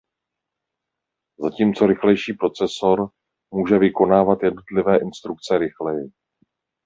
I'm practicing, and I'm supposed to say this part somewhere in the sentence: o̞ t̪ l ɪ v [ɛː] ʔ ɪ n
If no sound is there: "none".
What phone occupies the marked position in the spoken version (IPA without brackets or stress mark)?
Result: ɛː